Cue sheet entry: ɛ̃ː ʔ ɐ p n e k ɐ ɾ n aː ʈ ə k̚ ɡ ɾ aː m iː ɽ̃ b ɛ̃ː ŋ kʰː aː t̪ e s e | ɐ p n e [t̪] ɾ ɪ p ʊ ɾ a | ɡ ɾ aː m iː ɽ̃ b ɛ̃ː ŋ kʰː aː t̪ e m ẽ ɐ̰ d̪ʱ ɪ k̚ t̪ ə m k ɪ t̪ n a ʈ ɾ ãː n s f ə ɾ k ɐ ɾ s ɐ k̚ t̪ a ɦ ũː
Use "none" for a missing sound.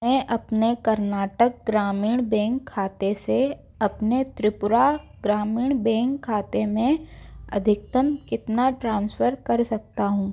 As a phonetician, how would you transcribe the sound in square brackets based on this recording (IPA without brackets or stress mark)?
t̪